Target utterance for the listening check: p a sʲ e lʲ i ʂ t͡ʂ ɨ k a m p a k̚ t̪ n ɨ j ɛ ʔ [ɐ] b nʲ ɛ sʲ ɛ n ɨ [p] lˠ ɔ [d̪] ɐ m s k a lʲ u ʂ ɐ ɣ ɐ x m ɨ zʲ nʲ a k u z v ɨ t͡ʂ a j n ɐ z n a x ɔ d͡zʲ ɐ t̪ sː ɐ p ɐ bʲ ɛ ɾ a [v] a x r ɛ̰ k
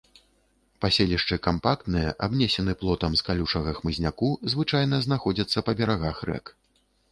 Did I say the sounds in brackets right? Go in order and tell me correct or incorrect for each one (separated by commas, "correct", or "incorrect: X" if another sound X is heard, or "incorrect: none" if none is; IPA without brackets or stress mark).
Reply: incorrect: a, correct, incorrect: t̪, incorrect: ɣ